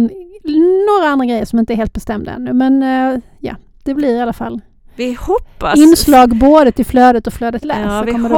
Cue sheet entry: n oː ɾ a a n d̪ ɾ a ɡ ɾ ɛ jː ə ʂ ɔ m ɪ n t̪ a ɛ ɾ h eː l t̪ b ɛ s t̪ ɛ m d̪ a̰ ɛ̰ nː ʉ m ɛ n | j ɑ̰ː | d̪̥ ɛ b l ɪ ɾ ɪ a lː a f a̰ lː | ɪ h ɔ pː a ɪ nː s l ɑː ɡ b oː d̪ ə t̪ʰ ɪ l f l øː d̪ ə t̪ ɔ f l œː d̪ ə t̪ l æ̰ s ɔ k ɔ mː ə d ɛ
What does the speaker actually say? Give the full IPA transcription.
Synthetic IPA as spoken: n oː ɾ a a n d̪ ɾ a ɡ ɾ ɛ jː ə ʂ ɔ m ɪ n t̪ ə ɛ ɾ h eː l t̪ b ɛ s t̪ ɛ m d̪ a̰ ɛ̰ nː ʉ m ɛ n | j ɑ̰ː | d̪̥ ɛ b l ɪ ɾ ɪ a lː a f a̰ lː | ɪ h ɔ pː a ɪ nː s l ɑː ɡ b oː d̪ ə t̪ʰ ɪ l f l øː d̪ ə t̪ ɔ f l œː d̪ ə t̪ l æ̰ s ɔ k ɔ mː ə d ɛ